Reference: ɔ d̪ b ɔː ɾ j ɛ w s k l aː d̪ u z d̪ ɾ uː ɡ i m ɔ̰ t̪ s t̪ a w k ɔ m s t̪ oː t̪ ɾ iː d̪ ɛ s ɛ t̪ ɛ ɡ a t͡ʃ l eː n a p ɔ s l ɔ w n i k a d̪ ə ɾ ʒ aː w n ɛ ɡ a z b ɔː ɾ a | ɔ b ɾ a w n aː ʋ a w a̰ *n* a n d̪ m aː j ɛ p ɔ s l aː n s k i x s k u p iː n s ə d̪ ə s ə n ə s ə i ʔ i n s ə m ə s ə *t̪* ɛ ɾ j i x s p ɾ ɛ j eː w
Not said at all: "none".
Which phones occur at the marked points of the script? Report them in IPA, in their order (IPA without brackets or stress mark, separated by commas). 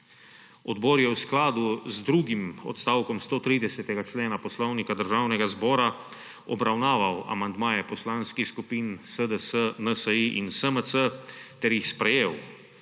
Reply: m, t̪